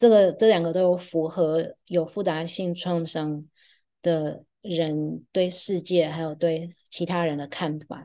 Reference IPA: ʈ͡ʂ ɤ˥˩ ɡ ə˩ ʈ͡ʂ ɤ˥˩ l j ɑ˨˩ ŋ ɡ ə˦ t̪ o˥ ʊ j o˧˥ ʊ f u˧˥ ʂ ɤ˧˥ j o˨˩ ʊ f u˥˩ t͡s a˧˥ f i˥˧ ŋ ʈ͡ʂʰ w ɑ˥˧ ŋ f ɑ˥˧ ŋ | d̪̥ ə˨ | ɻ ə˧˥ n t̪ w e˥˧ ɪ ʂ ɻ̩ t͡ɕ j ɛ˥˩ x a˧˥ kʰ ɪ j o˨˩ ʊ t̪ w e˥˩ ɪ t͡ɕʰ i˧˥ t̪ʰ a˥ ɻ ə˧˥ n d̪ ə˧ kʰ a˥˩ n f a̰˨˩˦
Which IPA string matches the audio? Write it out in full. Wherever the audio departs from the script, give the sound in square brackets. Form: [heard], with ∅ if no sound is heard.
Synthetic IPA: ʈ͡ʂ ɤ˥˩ ɡ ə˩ ʈ͡ʂ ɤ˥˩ l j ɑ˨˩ ŋ ɡ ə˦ t̪ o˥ ʊ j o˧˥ ʊ f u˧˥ [x] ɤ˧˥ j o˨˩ ʊ f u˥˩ t͡s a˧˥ [ɕ] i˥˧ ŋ ʈ͡ʂʰ w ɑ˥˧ ŋ [ʂ] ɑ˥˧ ŋ | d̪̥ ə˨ | ɻ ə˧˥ n t̪ w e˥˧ ɪ ʂ ɻ̩ t͡ɕ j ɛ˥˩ x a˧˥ [∅] ɪ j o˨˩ ʊ t̪ w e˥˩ ɪ t͡ɕʰ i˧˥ t̪ʰ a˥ ɻ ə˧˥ n d̪ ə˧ kʰ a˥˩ n f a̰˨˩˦